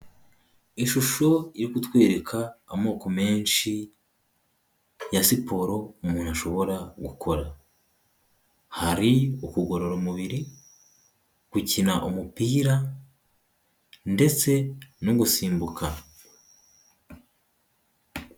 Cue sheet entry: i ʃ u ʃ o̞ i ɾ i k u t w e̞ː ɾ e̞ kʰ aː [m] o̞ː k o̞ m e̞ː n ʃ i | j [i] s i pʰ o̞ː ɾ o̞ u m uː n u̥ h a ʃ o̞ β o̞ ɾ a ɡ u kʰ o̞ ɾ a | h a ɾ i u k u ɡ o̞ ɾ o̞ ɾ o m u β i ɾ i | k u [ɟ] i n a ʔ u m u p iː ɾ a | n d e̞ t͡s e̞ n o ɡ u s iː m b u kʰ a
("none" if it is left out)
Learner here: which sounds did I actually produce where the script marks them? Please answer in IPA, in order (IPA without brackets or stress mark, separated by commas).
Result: m, a, c